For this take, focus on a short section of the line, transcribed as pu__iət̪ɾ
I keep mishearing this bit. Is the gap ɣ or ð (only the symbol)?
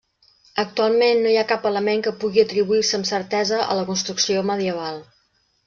ɣ